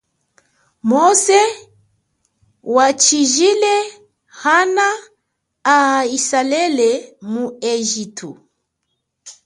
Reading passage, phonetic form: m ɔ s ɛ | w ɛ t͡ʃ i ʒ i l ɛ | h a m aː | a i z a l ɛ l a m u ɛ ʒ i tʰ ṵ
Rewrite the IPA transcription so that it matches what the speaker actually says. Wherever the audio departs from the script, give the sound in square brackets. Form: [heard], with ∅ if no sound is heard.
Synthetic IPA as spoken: m ɔ s ɛ | w [a] t͡ʃ i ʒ i l ɛ | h a [n] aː | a i [s] a l ɛ l [ɛ] m u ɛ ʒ i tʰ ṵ